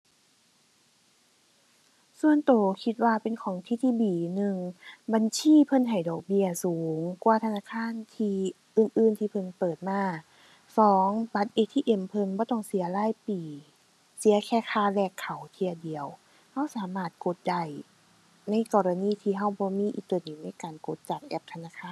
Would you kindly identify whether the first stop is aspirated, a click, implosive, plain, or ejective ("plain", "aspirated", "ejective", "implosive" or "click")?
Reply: plain